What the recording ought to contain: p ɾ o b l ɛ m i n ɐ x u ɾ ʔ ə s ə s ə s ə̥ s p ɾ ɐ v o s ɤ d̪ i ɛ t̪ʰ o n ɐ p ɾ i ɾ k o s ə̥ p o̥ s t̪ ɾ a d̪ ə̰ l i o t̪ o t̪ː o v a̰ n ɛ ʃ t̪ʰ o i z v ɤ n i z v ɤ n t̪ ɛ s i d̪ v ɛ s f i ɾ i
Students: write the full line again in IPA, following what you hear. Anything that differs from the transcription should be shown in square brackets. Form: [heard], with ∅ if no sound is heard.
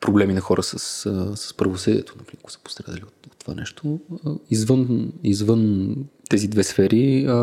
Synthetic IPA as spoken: p ɾ o b l ɛ m i n ɐ x [ɔ] ɾ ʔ ə s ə s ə s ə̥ s p ɾ ɐ v o s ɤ d̪ i ɛ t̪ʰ o n ɐ p ɾ i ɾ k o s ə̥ p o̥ s t̪ ɾ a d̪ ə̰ l i o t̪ o t̪ː o v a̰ n ɛ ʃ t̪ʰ o i z v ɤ n i z v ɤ n t̪ ɛ [z] i d̪ v ɛ s f [ɛ] ɾ i